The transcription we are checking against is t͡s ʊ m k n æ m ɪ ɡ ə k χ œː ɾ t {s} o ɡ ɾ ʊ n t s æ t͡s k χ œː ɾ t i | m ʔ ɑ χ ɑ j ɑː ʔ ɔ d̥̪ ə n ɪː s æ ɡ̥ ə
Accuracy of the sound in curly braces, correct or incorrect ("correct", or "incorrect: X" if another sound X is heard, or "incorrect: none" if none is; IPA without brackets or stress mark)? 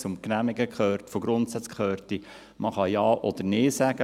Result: incorrect: f